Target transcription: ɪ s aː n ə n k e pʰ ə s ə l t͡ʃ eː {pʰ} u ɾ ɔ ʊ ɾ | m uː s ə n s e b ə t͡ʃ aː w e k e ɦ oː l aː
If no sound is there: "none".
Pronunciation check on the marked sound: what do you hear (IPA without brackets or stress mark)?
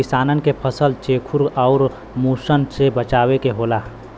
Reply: kʰ